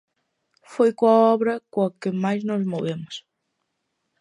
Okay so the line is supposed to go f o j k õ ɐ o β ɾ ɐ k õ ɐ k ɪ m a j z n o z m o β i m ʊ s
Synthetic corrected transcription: f o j k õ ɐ ɔ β ɾ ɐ k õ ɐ k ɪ m a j z n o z m o β e m ʊ s